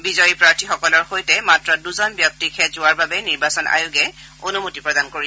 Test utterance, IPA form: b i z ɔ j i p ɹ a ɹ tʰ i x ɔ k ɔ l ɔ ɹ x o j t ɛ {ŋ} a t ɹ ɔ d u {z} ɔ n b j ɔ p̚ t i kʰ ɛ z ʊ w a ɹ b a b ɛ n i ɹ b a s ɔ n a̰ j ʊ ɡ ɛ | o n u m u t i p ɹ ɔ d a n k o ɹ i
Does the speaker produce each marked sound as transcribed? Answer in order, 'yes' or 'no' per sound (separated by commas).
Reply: no, yes